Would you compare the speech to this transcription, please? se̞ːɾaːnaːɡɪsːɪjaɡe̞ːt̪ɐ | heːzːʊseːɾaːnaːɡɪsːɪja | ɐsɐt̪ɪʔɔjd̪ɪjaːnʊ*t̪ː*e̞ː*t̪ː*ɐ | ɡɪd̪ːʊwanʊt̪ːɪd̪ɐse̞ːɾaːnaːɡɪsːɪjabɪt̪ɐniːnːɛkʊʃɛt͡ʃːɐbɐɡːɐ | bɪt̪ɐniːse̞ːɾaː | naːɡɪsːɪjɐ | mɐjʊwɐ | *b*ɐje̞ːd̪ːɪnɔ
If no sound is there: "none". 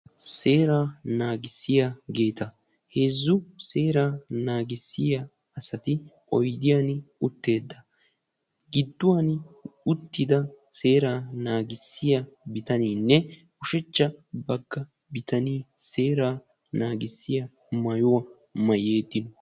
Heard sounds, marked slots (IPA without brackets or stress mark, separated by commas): t̪ː, d̪ː, m